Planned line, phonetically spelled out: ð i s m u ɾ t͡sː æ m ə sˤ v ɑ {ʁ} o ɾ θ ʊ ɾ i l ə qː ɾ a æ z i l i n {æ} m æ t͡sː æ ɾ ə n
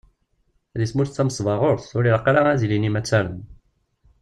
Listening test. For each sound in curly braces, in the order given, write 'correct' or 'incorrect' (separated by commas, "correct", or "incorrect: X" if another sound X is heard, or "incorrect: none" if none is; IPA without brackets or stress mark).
correct, incorrect: i